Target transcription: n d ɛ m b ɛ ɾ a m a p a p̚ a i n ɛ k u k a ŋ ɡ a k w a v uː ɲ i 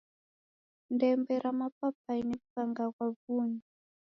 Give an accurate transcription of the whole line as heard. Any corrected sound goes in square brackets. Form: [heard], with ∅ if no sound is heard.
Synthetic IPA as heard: n d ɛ m b ɛ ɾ a m a p a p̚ a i n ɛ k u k a ŋ ɡ a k w a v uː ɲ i